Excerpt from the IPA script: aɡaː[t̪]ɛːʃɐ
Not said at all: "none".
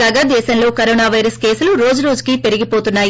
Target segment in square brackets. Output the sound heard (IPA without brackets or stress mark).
d̪